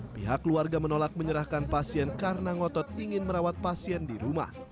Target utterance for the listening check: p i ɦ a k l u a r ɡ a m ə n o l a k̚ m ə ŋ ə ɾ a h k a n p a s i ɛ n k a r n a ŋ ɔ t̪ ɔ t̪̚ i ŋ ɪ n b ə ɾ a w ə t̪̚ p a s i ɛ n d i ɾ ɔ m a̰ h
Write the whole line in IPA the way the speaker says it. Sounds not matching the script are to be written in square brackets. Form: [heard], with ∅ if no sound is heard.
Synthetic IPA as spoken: p i ɦ a k l u a r ɡ a m ə n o l a k̚ m ə [ɲ] ə ɾ a h k a n p a s i ɛ n k a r n a ŋ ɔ t̪ ɔ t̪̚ i ŋ ɪ n [m] ə ɾ a w [a] t̪̚ p a s i ɛ n d i ɾ [u] m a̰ h

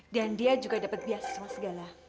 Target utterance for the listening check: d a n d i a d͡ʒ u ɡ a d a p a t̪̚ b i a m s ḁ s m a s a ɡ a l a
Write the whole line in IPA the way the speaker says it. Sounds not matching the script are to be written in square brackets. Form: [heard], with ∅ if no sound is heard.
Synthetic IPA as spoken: d a n d i a d͡ʒ u ɡ a d a p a t̪̚ b i a [∅] s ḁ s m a s [ə] ɡ a l a

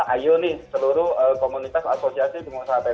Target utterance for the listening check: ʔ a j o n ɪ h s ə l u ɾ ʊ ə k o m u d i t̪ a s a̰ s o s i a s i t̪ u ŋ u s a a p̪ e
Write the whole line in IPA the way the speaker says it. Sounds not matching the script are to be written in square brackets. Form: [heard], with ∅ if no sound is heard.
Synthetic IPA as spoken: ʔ a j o n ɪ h s ə l u ɾ ʊ ə k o m u [n] i t̪ a s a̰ s o s i a s i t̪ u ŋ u s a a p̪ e

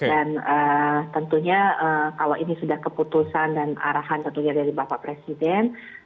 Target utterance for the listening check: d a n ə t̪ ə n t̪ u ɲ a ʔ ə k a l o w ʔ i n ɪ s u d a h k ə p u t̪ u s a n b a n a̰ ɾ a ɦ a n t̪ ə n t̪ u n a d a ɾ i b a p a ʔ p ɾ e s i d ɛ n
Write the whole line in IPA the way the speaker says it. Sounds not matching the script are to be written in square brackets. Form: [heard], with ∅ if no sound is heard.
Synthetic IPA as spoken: d a n ə t̪ ə n t̪ u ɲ a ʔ ə k a l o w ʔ i n [i] s u d a h k ə p u t̪ u s a n [d] a n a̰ ɾ a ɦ a n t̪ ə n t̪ u [ɲ] a d a ɾ i b a p a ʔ p ɾ e s i d ɛ n

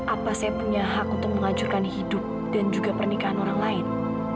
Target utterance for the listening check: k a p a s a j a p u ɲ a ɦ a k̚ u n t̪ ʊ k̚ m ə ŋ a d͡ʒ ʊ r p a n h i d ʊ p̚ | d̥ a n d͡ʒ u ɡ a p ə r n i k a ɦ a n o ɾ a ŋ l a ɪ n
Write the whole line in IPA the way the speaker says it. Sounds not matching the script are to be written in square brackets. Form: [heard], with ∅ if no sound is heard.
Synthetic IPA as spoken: [ʔ] a p a s a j a p u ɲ a ɦ a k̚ u n t̪ ʊ k̚ m ə ŋ a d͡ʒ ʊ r [k] a n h i d ʊ p̚ | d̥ a n d͡ʒ u ɡ a p ə r n i k a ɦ a n o ɾ a ŋ l a ɪ n

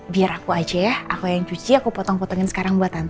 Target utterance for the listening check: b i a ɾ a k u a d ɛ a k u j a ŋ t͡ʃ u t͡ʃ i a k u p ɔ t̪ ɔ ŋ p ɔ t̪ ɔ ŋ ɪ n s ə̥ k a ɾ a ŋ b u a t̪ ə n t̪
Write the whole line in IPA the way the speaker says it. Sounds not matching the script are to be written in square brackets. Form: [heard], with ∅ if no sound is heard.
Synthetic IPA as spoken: b i a ɾ a k u a [d͡ʒ] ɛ a k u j a ŋ t͡ʃ u t͡ʃ i a k u p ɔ t̪ ɔ ŋ p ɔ t̪ ɔ ŋ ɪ n s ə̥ k a ɾ a ŋ b u a t̪ [a] n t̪

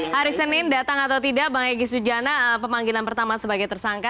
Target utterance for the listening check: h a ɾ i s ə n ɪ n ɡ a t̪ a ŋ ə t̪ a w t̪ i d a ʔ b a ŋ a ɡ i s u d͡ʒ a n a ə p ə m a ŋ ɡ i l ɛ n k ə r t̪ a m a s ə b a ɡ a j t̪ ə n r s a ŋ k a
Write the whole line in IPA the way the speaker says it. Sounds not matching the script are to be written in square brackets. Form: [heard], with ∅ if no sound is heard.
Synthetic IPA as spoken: h a ɾ i s ə n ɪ n [d] a t̪ a ŋ [a] t̪ a w t̪ i d a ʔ b a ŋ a ɡ i s u d͡ʒ a n a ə p ə m a ŋ ɡ i l [a] n [p] ə r t̪ a m a s ə b a ɡ a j t̪ ə [∅] r s a ŋ k a

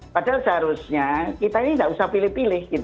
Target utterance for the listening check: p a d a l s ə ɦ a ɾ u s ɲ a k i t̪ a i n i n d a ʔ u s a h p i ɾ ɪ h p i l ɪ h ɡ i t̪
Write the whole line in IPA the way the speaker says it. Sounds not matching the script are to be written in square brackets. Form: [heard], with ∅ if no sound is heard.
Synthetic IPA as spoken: p a d a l s ə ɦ a ɾ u s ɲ a k i t̪ a i n i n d a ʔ u s a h p i [l] ɪ h p i l ɪ h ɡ i t̪

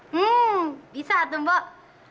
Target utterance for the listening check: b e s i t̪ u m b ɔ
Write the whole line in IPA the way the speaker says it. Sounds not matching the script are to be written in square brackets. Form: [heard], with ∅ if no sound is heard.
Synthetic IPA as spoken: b [i] s [a] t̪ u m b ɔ

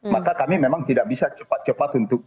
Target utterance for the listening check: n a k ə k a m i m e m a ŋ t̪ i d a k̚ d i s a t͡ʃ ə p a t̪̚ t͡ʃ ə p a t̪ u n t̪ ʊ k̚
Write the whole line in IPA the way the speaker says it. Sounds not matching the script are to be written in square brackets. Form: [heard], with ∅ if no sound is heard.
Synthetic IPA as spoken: [m] a k [a] k a m i m e m a ŋ t̪ i d a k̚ [b] i s a t͡ʃ ə p a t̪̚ t͡ʃ ə p a t̪ u n t̪ ʊ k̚

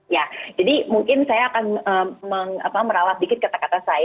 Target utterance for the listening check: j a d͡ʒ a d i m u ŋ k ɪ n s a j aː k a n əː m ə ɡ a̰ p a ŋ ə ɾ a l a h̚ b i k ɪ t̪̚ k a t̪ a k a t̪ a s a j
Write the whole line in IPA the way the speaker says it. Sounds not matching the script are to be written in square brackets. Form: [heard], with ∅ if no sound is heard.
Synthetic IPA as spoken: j a d͡ʒ a d i m u ŋ k ɪ n s a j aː k a n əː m ə [ŋ] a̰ p a [m] ə ɾ a l a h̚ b i k ɪ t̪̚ k a t̪ a k a t̪ a s a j

